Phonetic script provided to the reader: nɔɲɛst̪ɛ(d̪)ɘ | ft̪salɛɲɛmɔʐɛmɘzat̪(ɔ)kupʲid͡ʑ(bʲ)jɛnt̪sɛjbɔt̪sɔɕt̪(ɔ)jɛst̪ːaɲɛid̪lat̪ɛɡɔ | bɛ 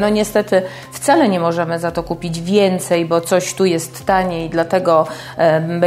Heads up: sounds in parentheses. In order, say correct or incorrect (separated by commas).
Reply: incorrect, correct, incorrect, incorrect